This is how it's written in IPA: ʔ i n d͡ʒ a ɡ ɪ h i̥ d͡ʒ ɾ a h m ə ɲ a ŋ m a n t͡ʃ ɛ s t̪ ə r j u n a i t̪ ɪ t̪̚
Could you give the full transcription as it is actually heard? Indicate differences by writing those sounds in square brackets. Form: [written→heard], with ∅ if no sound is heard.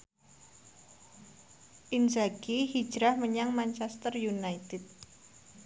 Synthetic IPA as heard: ʔ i n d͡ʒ a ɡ [ɪ→i] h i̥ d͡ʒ ɾ a h m ə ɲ a ŋ m a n t͡ʃ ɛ s t̪ ə r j u n a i t̪ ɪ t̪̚